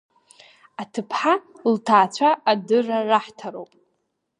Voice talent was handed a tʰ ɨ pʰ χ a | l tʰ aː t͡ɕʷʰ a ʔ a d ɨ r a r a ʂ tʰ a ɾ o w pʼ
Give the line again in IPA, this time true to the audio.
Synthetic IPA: a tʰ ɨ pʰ ħ a | l tʰ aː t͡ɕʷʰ a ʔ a d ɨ r a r a ħ tʰ a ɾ o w pʼ

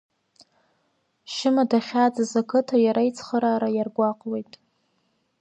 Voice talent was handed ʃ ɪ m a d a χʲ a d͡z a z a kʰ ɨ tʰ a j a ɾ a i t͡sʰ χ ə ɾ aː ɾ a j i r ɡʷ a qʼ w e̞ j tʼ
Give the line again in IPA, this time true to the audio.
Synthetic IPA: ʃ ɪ m a d a χʲ a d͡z a z a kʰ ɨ tʰ a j a ɾ a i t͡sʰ χ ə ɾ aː ɾ a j a r ɡʷ a qʼ w e̞ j tʼ

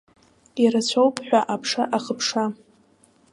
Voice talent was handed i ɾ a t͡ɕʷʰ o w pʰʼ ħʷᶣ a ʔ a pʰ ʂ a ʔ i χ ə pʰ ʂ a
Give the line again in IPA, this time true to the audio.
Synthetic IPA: i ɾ a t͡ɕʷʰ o w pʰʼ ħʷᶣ a ʔ a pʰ ʂ a ʔ a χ ə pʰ ʂ a

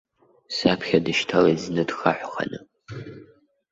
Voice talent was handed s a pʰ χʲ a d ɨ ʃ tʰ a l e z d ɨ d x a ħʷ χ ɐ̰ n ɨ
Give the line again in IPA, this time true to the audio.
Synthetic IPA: s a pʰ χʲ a d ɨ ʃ tʰ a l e z n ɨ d x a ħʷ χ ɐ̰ n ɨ

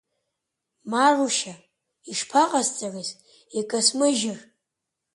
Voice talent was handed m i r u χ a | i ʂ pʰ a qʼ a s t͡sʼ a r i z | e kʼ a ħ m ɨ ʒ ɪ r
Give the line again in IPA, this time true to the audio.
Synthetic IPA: m a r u ʃ a | i ʂ pʰ a qʼ a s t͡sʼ a r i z | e kʼ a s m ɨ ʒ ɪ r

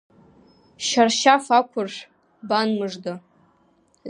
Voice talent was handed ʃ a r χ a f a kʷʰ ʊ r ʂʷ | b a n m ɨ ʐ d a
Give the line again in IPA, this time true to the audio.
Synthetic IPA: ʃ a r ʃ a f a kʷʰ ʊ r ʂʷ | b a n m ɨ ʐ d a

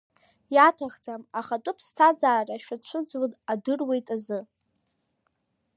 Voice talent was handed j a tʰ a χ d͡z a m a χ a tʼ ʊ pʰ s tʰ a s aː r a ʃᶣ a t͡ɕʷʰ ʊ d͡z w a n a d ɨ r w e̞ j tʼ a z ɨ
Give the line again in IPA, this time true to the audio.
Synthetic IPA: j a tʰ a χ d͡z a m a χ a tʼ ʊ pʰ s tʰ a z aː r a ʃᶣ a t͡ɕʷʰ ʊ d͡z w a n a d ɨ r w e̞ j tʼ a z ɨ

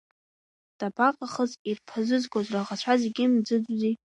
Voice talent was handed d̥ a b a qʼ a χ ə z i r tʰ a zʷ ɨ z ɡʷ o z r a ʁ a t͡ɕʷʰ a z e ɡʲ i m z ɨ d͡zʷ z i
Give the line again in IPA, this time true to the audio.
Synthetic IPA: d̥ a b a qʼ a χ ə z i r pʰ a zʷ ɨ z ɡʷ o z r a ʁ a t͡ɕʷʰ a z e ɡʲ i m d͡z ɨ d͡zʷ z i

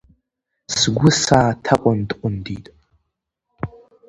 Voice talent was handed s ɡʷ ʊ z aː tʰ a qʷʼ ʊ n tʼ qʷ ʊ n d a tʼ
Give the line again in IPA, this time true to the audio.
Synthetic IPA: s ɡʷ ʊ s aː tʰ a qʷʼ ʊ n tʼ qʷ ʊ n d i tʼ

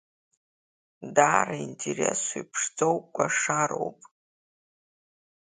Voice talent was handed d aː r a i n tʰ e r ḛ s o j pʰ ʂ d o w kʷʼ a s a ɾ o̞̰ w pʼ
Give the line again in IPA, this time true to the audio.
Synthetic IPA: d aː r a i n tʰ e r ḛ s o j pʰ ʂ d͡z o w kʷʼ a ʂ a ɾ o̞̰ w pʼ

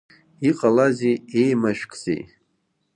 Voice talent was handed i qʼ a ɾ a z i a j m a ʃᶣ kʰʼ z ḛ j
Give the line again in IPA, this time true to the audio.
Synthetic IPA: i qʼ a l a z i e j m a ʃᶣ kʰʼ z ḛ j

